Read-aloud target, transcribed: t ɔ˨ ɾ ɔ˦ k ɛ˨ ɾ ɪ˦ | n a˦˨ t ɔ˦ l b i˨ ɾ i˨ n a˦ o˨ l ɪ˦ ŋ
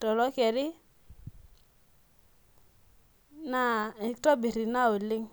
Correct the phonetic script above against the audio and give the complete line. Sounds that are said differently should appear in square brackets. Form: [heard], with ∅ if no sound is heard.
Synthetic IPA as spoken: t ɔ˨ [l] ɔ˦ k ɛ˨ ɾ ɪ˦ | n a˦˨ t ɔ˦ [∅] b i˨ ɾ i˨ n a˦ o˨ l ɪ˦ ŋ